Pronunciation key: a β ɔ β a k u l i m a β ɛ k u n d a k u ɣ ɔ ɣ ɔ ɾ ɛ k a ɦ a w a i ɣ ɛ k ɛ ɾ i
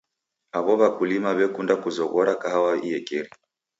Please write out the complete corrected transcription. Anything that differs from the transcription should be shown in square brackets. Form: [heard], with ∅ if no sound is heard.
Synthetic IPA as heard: a β ɔ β a k u l i m a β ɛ k u n d a k u [z] ɔ ɣ ɔ ɾ [a] k a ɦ a w a i [∅] ɛ k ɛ ɾ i